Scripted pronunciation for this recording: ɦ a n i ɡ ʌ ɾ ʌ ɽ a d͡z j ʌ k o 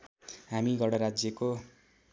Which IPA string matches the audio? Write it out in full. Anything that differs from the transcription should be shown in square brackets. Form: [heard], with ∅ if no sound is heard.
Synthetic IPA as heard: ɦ a [m] i ɡ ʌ [ɽ] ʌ [ɾ] a d͡z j ʌ k o

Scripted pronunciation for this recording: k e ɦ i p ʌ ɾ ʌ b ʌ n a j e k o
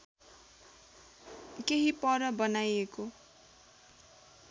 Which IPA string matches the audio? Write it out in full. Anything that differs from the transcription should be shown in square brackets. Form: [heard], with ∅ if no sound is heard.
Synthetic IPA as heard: k e ɦ i p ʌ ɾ ʌ b ʌ n a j e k o

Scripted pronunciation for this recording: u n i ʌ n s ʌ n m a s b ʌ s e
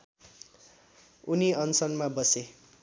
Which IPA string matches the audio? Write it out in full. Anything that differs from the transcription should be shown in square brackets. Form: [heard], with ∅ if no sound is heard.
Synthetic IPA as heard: u n i ʌ n s ʌ n m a [∅] b ʌ s e

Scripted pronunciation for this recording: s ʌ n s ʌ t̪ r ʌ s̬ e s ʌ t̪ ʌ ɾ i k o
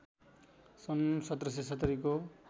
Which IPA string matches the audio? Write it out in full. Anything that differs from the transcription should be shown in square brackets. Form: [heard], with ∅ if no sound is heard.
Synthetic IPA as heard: s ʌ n s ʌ t̪ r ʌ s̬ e s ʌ t̪ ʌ ɾ i k o

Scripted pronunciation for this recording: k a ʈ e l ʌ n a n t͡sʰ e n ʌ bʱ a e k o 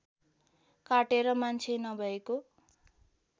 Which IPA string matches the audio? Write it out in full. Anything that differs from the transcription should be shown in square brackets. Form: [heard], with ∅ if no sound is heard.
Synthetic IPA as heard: k a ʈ e [ɾ] ʌ [m] a n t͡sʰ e n ʌ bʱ [ʌ] e k o

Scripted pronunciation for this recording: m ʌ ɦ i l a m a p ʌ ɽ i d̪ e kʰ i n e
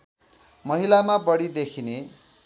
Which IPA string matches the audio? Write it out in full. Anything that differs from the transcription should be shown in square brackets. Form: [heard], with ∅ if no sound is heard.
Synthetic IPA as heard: m ʌ ɦ i l a m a [b] ʌ ɽ i d̪ e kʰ i n e

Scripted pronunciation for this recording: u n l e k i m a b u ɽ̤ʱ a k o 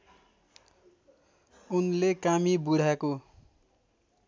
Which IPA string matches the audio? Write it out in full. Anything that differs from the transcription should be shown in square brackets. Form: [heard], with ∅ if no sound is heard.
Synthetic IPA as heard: u n l e k [a] m [i] b u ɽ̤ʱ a k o

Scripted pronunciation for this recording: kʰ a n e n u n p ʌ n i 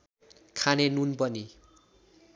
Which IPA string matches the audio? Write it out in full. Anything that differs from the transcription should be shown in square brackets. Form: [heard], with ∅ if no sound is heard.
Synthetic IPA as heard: kʰ a n e n u n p ʌ n i

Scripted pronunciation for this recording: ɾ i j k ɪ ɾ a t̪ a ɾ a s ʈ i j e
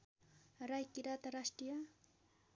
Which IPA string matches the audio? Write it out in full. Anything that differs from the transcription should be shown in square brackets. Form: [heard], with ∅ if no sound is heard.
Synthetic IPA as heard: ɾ [a] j k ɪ ɾ a t̪ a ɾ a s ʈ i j [a]

